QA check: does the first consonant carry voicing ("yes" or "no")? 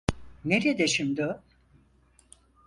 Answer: yes